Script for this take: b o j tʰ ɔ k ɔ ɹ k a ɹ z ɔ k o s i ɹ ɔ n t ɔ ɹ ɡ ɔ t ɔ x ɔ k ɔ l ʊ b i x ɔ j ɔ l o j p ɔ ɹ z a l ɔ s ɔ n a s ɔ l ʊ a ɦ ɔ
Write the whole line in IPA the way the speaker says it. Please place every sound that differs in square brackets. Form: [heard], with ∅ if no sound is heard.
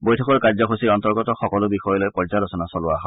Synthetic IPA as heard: b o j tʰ ɔ k ɔ ɹ k a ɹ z ɔ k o s i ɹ ɔ n t ɔ ɹ ɡ ɔ t ɔ x ɔ k ɔ l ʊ b i x ɔ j ɔ l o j p ɔ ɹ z a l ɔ s ɔ n a s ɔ l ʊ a ɦ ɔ